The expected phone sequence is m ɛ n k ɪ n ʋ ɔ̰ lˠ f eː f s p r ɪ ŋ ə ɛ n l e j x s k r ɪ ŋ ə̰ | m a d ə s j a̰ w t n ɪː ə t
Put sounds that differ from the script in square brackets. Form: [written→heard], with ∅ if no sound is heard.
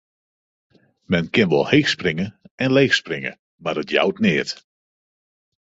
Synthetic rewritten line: m ɛ n k ɪ n ʋ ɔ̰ lˠ [f→h] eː [f→x] s p r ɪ ŋ ə ɛ n l e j x s [k→p] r ɪ ŋ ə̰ | m a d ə [s→t] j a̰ w t n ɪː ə t